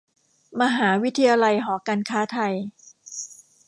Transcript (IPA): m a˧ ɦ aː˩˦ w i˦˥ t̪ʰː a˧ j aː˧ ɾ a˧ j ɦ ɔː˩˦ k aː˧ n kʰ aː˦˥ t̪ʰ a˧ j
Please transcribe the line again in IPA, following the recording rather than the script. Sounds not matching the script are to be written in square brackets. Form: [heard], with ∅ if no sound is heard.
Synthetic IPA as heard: m a˧ ɦ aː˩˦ w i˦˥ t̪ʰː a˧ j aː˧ [l] a˧ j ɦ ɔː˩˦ k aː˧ n kʰ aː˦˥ t̪ʰ a˧ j